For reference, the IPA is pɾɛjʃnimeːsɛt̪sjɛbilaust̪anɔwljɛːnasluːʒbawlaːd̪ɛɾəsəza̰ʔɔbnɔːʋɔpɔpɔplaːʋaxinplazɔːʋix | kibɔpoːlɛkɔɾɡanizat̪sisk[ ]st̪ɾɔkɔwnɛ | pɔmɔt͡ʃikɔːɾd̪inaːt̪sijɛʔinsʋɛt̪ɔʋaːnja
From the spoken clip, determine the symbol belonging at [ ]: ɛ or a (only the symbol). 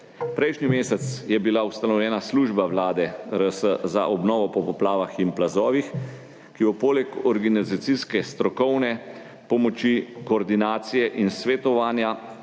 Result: ɛ